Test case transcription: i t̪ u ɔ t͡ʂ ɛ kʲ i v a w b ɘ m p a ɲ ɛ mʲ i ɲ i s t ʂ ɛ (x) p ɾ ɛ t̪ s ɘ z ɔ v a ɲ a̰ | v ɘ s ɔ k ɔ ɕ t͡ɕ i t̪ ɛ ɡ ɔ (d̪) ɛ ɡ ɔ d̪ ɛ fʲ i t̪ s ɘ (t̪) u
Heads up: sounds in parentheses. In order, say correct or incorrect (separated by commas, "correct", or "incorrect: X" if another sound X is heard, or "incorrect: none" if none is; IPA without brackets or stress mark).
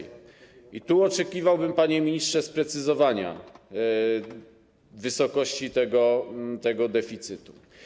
incorrect: s, incorrect: t̪, correct